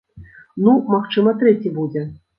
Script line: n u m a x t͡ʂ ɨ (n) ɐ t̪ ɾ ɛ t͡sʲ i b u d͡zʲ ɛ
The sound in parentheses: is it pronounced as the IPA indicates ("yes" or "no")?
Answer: no